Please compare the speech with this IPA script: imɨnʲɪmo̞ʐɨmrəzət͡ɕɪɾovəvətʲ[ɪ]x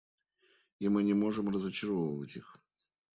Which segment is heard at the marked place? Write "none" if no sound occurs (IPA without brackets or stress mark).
i